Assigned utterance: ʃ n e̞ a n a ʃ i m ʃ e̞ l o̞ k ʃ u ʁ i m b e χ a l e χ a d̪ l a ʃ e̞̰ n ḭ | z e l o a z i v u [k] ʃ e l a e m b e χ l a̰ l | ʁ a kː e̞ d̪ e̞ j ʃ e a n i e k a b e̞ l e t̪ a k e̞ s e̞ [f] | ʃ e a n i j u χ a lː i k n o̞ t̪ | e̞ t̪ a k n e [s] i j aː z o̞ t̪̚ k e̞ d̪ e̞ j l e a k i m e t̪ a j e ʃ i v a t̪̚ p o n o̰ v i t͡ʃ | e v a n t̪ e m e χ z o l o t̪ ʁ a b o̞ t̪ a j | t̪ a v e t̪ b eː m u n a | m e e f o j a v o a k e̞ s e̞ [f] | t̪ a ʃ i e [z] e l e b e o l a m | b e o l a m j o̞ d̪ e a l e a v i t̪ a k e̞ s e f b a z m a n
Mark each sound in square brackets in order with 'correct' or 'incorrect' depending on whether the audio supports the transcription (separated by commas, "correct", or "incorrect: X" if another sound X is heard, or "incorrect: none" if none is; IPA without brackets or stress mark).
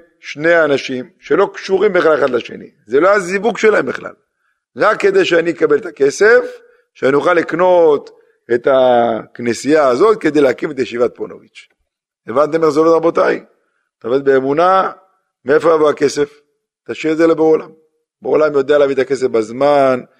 incorrect: ɡ, correct, correct, correct, correct